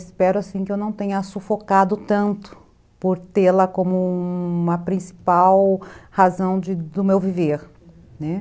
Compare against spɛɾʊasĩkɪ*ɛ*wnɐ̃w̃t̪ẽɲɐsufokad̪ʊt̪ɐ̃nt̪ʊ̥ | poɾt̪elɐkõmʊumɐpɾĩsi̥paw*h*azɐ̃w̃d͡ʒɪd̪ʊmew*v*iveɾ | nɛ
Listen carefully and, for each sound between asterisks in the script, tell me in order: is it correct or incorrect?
incorrect: e, correct, correct

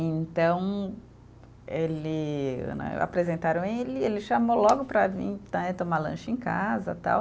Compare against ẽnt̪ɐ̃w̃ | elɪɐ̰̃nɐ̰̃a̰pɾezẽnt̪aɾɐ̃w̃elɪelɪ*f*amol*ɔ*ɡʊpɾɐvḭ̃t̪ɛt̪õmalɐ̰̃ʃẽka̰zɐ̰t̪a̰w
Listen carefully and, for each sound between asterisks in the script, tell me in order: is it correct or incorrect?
incorrect: ʃ, correct

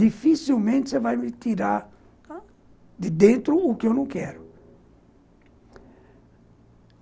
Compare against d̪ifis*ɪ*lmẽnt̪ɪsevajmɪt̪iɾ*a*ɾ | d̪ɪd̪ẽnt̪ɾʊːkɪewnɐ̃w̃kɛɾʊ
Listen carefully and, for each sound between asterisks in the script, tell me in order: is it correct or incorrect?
incorrect: i, correct

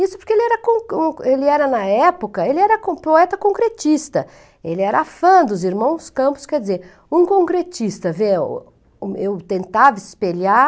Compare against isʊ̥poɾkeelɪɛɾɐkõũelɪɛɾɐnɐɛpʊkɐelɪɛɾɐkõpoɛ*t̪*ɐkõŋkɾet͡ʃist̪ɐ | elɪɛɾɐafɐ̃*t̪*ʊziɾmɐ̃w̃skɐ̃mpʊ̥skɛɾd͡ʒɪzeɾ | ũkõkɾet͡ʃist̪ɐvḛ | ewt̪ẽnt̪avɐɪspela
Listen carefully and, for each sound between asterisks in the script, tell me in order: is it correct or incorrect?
correct, incorrect: d̪

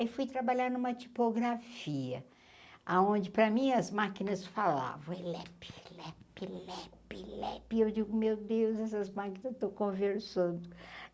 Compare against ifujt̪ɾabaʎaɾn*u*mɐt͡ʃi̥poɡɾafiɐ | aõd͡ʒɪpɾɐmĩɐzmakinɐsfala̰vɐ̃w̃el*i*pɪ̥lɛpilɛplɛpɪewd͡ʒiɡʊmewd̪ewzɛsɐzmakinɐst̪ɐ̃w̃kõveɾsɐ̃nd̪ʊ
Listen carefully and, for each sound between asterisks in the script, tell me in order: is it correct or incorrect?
incorrect: ũ, incorrect: ɛ

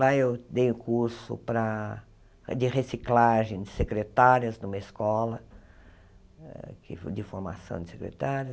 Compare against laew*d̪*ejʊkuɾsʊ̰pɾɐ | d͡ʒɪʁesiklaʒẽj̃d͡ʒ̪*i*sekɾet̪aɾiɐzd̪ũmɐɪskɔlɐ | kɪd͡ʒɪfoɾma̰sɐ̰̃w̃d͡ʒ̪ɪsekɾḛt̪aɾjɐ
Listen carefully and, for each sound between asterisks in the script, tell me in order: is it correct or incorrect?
correct, incorrect: ɪ

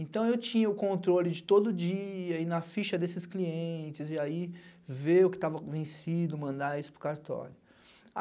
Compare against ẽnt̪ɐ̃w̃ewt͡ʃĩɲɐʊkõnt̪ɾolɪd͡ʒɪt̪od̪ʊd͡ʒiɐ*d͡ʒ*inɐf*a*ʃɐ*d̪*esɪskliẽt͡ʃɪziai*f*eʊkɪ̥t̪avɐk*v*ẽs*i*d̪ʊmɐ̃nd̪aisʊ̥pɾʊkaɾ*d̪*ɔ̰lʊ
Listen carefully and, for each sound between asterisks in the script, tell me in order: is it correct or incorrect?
incorrect: none, incorrect: i, correct, incorrect: v, correct, correct, incorrect: t̪

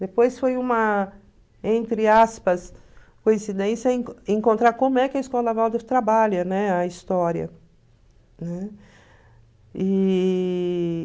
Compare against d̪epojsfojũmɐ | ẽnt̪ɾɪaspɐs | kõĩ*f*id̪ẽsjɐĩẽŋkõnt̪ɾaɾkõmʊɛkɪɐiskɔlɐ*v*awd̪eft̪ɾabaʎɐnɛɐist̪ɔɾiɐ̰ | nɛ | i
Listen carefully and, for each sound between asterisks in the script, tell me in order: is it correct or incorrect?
incorrect: s, correct

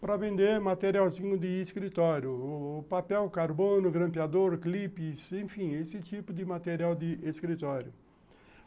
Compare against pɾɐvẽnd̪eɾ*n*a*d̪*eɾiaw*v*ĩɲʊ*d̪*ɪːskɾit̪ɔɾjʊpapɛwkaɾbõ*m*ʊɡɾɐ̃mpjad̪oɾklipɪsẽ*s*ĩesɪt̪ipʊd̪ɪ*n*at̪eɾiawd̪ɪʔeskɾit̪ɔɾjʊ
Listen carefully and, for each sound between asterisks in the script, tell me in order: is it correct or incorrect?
incorrect: m, incorrect: t̪, incorrect: z, correct, incorrect: n, incorrect: f, incorrect: m

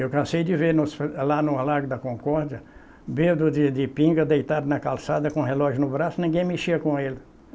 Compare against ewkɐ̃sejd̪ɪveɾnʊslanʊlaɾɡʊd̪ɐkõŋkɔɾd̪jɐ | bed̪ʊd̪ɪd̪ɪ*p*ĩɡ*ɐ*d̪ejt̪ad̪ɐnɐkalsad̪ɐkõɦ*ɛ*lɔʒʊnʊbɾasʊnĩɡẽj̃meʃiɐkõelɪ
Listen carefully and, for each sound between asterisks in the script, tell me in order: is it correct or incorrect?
correct, correct, incorrect: e

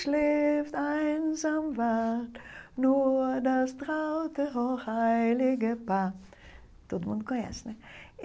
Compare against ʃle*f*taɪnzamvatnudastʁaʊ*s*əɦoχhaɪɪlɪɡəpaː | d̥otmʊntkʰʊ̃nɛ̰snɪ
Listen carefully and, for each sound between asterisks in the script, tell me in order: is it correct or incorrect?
correct, incorrect: t

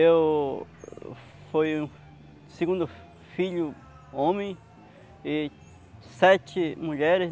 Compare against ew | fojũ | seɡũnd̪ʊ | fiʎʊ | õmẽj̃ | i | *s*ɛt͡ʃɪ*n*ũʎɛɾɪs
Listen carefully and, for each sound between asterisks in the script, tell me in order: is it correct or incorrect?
correct, incorrect: m

